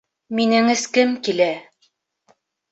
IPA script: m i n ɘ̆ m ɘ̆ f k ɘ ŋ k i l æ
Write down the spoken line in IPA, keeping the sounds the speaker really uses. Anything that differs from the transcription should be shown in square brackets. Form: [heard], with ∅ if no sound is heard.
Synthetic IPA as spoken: m i n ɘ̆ [ŋ] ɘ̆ [s] k ɘ [m] k i l æ